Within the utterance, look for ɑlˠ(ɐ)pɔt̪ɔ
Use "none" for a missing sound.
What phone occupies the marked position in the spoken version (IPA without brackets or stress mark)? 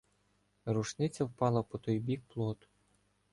ɐ